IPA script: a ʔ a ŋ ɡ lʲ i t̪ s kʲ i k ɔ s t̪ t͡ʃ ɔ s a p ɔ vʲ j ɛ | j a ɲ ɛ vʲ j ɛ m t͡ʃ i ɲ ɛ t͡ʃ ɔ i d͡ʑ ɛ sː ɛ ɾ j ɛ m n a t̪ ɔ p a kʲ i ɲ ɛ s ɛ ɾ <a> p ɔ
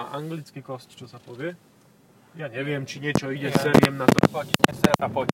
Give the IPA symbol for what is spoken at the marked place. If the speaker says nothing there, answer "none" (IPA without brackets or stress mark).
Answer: a